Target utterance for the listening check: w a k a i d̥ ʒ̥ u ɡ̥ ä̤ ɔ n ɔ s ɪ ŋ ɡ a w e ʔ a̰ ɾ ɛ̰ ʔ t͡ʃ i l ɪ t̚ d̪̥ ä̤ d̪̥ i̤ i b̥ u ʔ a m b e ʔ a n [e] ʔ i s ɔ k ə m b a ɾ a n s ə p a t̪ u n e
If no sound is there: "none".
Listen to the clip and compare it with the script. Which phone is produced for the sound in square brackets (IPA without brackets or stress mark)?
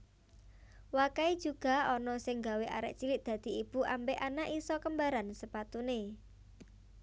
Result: a